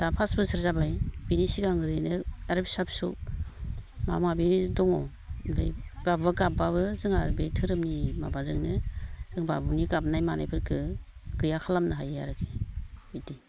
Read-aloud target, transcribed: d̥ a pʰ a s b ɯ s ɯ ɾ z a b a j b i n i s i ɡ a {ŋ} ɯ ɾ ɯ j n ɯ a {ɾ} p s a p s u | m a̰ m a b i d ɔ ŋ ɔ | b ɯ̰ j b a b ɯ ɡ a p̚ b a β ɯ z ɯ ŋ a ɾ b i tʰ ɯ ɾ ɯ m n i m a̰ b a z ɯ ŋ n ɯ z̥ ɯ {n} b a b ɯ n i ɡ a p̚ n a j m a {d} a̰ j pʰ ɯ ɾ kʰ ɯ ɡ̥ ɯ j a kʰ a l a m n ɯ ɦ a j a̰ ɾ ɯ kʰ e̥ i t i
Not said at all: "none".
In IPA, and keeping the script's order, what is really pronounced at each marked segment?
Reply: ŋ, ɾ, ŋ, n

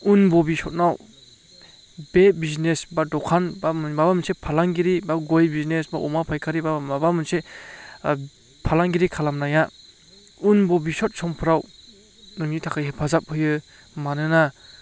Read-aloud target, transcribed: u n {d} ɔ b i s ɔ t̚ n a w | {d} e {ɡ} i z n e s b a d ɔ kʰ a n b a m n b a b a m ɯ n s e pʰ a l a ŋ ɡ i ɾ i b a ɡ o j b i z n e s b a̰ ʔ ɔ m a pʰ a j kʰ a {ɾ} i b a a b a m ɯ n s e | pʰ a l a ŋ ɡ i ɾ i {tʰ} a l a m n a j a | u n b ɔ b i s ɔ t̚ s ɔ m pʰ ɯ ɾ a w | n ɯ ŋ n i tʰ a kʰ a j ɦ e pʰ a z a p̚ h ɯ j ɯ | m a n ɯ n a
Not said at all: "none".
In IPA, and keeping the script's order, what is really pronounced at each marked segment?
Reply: b, b, b, ɾ, kʰ

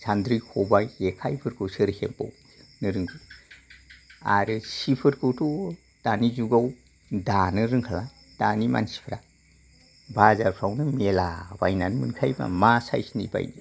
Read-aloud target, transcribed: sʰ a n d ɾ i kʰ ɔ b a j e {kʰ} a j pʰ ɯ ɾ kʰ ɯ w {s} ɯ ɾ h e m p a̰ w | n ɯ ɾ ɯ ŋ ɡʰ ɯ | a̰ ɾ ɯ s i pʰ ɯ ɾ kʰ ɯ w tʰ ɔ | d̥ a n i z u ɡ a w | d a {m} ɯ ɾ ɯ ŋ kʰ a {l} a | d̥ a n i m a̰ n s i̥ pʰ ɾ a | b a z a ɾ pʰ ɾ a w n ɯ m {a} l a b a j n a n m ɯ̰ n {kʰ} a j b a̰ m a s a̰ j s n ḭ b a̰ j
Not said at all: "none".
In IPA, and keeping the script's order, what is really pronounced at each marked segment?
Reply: kʰ, s, n, l, e, kʰ

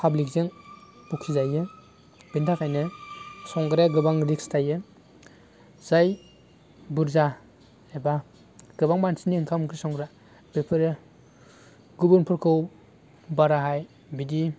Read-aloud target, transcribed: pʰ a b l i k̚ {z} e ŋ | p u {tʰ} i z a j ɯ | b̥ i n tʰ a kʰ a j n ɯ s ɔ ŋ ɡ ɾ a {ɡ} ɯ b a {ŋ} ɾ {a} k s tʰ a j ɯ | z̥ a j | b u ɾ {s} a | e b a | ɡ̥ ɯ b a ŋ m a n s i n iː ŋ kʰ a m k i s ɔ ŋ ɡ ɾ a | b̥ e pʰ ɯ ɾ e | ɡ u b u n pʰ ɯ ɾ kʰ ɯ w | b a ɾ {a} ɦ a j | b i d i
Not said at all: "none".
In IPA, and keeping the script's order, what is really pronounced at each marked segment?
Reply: z, kʰ, ɡ, ŋ, i, z, a

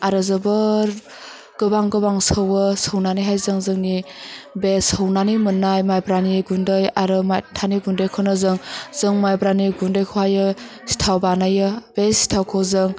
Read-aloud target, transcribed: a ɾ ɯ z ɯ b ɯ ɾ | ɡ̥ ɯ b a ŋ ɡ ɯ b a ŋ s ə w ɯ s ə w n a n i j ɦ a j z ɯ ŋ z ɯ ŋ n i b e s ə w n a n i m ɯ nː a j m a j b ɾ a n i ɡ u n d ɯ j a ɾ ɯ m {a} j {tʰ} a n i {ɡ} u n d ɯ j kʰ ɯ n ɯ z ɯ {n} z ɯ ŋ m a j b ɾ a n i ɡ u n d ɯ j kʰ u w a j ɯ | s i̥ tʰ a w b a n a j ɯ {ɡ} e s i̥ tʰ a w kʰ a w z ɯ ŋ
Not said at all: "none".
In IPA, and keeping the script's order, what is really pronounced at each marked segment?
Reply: a, tʰ, ɡ, ŋ, b

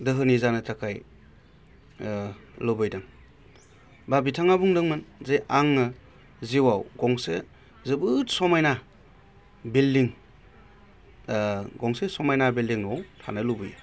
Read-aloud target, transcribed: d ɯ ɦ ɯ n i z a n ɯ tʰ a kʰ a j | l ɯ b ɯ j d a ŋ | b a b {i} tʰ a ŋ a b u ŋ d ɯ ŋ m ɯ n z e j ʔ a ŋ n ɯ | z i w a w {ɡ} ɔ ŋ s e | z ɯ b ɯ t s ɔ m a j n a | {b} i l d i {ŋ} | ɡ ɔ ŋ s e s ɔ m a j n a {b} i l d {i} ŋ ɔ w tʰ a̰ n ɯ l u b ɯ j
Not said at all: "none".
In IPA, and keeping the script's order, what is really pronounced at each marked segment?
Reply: i, ɡ, b, ŋ, b, i

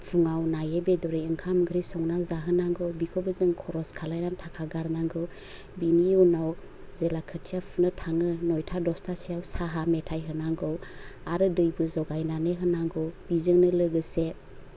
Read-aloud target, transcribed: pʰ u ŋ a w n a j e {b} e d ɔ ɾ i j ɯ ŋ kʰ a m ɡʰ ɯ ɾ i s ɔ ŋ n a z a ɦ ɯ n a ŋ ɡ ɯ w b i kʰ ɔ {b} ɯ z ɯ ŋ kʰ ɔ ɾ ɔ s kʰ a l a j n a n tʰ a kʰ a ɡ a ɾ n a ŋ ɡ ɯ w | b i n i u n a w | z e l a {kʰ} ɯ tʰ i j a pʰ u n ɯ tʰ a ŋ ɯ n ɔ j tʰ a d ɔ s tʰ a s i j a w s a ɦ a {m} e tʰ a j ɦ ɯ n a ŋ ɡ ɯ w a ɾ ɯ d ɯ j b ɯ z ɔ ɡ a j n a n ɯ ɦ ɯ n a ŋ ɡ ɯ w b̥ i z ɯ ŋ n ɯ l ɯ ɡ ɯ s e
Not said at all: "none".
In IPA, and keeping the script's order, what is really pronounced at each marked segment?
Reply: b, b, kʰ, m

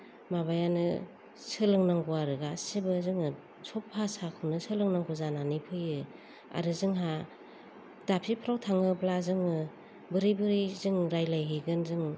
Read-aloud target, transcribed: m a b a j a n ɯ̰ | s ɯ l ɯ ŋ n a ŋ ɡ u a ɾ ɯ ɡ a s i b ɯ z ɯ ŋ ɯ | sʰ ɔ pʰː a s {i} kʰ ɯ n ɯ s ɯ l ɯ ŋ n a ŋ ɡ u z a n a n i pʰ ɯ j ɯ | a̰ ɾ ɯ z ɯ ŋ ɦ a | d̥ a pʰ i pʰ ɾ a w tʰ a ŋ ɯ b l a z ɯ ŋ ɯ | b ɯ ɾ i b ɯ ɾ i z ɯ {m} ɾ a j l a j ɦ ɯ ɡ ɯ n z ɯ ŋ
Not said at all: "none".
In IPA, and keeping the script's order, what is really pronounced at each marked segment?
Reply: a, ŋ

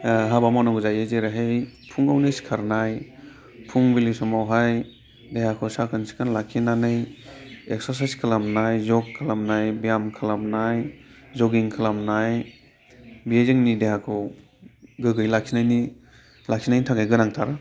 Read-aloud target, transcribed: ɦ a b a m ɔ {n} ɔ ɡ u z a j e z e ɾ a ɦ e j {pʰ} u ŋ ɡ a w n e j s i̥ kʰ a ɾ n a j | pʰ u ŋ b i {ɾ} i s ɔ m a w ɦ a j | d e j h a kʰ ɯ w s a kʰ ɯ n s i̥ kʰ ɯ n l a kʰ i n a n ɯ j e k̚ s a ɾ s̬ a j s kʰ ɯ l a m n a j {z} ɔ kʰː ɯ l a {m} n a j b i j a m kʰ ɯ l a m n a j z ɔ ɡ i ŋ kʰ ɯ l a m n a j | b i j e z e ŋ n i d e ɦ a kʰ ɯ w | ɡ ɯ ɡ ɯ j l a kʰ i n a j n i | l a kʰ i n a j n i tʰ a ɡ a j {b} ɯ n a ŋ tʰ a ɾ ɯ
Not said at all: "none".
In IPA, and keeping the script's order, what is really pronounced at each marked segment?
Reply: n, pʰ, l, z, m, ɡ

